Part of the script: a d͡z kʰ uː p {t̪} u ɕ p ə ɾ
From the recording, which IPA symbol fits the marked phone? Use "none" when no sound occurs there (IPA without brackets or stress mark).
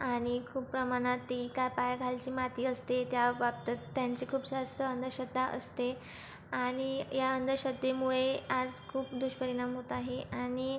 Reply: d̪